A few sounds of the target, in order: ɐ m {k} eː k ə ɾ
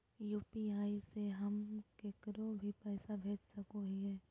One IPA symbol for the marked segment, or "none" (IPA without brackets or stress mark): k